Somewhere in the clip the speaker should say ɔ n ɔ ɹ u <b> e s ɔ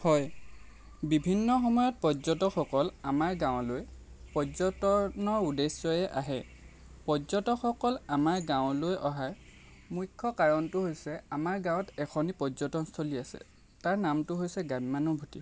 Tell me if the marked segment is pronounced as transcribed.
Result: no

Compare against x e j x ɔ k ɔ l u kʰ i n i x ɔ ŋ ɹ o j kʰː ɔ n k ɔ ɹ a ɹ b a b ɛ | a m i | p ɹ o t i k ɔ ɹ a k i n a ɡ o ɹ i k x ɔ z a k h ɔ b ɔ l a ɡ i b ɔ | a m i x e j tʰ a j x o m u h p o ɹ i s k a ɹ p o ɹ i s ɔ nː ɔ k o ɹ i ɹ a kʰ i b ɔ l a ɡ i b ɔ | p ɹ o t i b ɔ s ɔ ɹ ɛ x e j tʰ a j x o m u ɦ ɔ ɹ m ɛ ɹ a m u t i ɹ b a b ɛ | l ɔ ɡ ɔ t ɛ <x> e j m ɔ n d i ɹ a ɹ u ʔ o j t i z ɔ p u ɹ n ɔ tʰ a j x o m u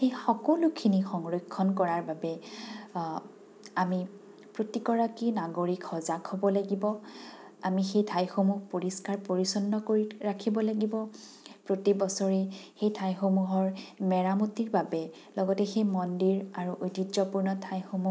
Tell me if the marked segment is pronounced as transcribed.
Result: yes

